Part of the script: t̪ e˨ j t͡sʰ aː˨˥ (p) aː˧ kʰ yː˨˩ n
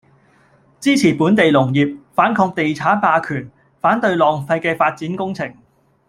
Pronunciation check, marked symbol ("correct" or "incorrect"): correct